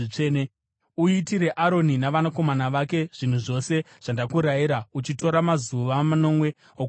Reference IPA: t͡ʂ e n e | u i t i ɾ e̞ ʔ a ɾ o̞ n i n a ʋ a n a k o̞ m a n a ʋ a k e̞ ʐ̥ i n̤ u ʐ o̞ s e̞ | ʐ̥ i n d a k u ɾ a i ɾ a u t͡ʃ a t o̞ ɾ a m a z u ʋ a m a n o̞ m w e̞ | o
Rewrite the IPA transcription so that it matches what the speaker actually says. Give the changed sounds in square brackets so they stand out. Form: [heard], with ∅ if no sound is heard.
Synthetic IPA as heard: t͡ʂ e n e | u i t i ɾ e̞ ʔ a ɾ o̞ n i n a ʋ a n a k o̞ m a n a ʋ a k e̞ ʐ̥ i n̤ u ʐ o̞ s e̞ | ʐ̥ [a] n d a k u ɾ a i ɾ a u t͡ʃ [i] t o̞ ɾ a m a z u ʋ a m a n o̞ m w e̞ | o